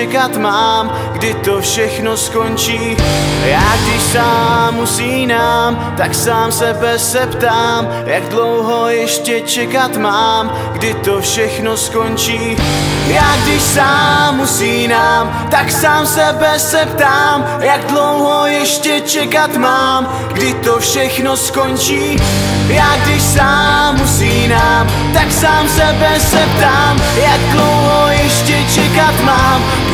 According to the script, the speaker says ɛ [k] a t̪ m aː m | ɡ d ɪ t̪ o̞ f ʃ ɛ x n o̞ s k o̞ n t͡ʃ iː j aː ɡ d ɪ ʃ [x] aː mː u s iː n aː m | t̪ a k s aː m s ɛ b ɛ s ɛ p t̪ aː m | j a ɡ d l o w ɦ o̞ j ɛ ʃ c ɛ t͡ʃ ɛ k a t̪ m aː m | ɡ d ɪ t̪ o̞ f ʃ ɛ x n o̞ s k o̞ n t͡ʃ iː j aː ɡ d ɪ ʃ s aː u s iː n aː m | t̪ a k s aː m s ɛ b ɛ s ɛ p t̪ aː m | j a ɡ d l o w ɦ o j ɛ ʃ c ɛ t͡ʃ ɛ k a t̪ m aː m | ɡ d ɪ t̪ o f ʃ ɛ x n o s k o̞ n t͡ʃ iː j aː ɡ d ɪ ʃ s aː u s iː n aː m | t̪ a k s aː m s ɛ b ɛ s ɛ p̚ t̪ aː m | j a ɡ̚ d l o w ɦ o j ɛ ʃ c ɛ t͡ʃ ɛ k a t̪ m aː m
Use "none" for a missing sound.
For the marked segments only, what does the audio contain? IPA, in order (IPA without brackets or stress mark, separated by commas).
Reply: k, s